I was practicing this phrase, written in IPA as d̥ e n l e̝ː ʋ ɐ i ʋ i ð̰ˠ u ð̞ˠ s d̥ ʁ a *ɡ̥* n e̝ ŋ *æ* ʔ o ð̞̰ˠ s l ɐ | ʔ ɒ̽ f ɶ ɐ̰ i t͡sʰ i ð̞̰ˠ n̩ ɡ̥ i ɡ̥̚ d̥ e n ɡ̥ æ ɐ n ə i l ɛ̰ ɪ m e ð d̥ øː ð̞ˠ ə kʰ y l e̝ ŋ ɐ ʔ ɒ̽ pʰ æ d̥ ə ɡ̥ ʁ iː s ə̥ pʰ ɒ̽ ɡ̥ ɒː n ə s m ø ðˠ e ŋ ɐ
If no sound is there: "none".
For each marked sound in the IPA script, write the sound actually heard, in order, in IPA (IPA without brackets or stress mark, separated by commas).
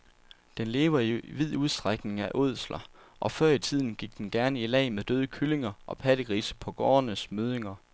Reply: ɡ̥, æ